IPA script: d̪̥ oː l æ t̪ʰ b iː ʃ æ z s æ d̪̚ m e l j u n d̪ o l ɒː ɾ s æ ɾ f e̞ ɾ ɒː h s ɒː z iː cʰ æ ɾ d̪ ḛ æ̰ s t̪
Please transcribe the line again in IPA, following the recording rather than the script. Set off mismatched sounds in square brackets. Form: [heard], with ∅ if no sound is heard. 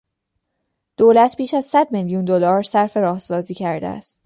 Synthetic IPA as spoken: d̪̥ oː l æ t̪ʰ b iː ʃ æ z s æ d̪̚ m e l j u n d̪ o l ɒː ɾ s æ ɾ f e̞ ɾ ɒː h s ɒː z iː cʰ æ ɾ d̪ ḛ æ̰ s t̪